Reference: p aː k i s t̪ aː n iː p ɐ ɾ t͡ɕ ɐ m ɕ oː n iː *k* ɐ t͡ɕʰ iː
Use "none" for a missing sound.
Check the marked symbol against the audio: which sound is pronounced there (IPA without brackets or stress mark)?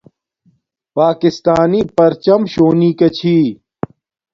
k